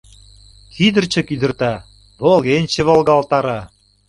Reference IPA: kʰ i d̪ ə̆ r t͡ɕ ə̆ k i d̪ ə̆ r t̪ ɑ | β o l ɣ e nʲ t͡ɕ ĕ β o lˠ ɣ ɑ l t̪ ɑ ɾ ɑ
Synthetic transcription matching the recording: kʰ i d̪ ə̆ r t͡ɕ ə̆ k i d̪ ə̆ r t̪ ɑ | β o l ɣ e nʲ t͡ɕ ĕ β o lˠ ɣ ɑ l t̪ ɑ ɾ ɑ